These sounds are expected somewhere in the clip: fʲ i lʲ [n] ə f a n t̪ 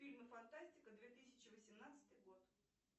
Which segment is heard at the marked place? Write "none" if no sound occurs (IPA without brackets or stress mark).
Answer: m